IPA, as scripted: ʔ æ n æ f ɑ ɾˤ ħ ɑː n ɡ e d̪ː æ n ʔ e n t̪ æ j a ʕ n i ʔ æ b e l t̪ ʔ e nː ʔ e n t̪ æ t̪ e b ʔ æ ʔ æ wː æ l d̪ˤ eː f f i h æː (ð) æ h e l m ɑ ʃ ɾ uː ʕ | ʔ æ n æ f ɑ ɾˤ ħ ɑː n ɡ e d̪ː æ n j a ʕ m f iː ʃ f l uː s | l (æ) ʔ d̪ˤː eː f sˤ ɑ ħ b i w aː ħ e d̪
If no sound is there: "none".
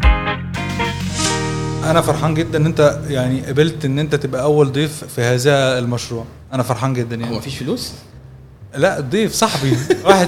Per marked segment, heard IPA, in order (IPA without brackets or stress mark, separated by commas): z, æ